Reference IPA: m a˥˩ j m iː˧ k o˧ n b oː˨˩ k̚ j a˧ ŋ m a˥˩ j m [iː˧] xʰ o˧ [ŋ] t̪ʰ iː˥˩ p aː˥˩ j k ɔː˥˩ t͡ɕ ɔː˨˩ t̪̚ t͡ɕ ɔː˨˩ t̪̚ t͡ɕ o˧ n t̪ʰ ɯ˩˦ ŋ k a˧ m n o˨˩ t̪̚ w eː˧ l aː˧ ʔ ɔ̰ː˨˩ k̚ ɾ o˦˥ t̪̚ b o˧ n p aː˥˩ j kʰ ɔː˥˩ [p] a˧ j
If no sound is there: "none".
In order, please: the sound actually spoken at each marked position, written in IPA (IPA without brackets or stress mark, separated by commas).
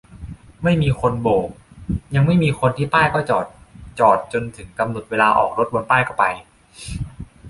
iː˧, n, p